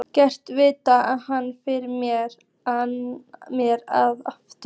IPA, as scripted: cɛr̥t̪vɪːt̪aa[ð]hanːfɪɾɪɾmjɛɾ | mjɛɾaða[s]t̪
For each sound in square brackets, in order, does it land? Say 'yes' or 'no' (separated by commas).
yes, no